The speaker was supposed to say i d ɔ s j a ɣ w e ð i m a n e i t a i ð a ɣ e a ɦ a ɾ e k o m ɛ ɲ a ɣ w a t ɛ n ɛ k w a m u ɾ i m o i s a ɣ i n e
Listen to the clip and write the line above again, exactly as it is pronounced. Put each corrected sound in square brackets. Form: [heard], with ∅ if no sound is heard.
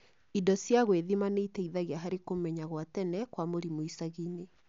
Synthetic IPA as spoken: i d ɔ s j a ɣ w e ð i m a n e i t [ɛ] i ð a ɣ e a ɦ a ɾ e k o m ɛ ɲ a ɣ w a t ɛ n ɛ k w a m [o] ɾ i m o i s a ɣ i n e